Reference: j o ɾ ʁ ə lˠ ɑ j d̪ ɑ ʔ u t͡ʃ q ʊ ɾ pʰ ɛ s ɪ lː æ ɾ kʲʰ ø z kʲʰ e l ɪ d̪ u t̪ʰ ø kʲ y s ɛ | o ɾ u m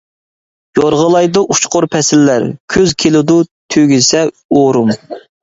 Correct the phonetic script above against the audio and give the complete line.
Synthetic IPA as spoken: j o ɾ ʁ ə lˠ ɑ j d̪ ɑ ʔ u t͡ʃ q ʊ ɾ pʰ ɛ s ɪ lː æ ɾ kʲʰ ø z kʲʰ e l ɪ d̪ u t̪ʰ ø ɡʲ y s ɛ | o ɾ u m